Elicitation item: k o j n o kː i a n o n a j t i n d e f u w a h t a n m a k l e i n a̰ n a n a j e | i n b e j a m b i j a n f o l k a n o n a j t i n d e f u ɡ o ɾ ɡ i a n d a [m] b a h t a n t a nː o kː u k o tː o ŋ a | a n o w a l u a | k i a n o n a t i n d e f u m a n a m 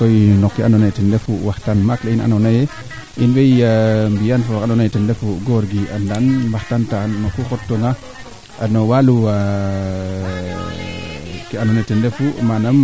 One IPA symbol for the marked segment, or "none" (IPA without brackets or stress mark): n